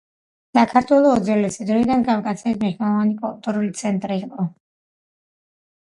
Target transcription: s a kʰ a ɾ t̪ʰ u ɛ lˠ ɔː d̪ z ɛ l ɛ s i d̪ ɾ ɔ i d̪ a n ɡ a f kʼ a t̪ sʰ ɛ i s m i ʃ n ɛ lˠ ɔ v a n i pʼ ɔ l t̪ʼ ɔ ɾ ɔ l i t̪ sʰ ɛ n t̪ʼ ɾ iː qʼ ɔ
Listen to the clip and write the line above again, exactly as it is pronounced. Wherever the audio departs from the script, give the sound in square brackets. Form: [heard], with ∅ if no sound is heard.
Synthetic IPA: s a kʰ a ɾ t̪ʰ [w] ɛ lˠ ɔː d̪ z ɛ l ɛ s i d̪ ɾ ɔ i d̪ a n ɡ a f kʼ a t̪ sʰ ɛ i s m i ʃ n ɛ lˠ ɔ v a n i pʼ ɔ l t̪ʼ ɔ ɾ [u] l i t̪ sʰ ɛ n t̪ʼ ɾ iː qʼ ɔ